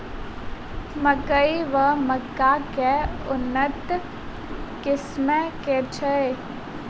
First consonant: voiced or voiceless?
voiced